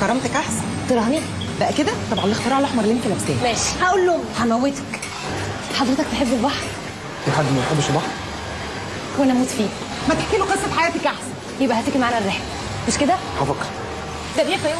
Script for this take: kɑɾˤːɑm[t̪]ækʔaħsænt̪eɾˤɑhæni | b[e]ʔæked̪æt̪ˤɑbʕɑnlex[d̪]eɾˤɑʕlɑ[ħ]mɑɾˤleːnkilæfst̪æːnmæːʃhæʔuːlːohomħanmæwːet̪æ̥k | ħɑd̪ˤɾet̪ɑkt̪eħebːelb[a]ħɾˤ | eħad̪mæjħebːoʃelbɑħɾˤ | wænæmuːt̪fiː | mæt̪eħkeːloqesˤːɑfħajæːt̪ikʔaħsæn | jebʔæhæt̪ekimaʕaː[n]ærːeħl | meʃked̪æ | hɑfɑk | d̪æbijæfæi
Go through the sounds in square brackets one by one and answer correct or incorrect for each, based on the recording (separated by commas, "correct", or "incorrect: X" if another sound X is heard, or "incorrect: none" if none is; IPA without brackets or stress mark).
correct, incorrect: æ, incorrect: t̪, correct, incorrect: ɑ, correct